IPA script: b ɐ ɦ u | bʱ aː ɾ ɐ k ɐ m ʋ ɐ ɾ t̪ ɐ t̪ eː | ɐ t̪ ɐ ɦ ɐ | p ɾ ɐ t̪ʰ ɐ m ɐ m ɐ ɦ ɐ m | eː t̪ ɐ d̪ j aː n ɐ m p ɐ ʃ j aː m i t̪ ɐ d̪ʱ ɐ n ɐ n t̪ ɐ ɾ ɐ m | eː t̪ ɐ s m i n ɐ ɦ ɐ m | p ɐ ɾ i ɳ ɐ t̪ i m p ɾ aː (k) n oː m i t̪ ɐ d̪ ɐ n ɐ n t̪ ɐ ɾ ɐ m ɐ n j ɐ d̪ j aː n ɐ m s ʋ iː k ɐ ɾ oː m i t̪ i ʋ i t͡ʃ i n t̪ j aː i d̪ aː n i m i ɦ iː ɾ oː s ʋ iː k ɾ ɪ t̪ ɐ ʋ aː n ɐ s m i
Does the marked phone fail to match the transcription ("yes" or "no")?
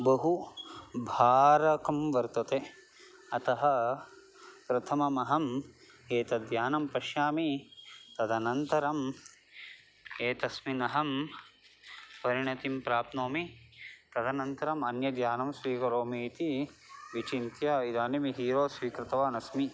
yes